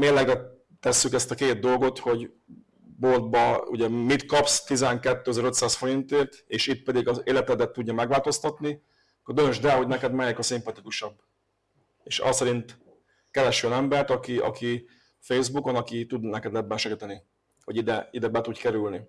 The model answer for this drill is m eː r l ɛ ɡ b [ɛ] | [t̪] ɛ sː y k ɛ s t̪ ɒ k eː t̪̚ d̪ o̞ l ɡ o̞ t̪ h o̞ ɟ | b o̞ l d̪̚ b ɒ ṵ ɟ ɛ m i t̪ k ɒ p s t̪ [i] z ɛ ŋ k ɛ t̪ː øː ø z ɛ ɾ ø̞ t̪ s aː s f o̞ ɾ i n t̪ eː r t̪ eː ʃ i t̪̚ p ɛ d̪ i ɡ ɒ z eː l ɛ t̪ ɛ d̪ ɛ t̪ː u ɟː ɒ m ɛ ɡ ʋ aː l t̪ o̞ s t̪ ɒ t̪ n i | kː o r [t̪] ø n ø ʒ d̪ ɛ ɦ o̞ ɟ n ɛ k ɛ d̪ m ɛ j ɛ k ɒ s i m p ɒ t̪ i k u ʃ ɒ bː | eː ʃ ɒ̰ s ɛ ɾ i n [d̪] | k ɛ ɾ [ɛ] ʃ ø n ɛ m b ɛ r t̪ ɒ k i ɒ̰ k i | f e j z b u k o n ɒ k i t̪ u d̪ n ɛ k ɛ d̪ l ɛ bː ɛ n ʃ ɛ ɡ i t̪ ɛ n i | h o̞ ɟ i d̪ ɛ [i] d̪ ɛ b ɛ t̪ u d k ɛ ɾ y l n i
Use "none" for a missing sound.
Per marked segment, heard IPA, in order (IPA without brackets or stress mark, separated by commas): ɛ, t̪, i, d̪, t̪, ɛ, i